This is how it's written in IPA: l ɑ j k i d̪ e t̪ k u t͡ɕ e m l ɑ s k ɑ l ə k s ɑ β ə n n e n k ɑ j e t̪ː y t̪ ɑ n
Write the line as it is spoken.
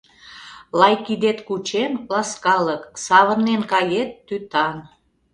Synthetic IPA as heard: l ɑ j k i d̪ e t̪ k u t͡ɕ e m l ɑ s k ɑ l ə k s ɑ β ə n n e n k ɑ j e t̪ː y t̪ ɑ n